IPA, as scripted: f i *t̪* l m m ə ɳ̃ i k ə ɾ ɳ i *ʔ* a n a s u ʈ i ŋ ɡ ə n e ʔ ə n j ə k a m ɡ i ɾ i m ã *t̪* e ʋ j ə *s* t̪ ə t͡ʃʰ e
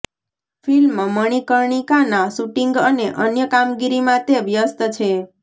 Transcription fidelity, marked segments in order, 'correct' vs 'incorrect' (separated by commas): incorrect, incorrect, correct, correct